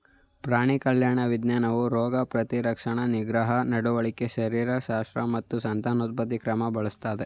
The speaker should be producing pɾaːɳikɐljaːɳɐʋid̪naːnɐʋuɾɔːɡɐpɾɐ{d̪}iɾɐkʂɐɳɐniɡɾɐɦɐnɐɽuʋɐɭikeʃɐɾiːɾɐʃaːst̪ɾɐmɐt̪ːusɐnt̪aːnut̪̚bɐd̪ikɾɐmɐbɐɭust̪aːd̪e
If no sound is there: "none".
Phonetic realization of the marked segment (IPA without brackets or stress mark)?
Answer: t̪